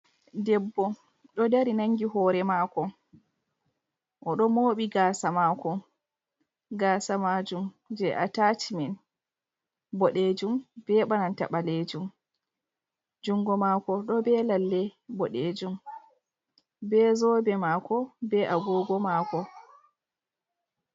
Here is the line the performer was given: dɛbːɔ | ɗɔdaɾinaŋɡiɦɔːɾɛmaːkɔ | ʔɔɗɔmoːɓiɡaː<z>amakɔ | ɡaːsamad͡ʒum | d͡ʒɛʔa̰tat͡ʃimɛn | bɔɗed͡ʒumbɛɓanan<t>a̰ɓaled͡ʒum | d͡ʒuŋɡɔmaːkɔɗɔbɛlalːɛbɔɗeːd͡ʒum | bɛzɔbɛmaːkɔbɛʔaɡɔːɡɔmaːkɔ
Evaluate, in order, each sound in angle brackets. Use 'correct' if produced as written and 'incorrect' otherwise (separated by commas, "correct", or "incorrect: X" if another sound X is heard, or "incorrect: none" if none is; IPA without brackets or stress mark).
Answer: incorrect: s, correct